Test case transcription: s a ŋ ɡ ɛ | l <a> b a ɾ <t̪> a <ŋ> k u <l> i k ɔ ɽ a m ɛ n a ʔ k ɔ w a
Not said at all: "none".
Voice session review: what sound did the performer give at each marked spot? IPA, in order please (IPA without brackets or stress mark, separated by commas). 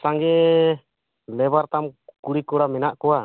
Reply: ɛ, t̪, m, ɽ